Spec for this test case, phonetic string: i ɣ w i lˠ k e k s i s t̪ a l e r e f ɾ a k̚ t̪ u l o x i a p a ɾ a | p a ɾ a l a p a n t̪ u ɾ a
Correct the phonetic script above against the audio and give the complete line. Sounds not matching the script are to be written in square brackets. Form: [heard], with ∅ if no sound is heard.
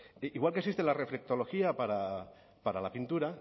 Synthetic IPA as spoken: i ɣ w [a] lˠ k e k s i s t̪ [e] l [a] r e f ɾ [e] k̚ t̪ [o] l o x i a p a ɾ a | p a ɾ a l a p [i] n t̪ u ɾ a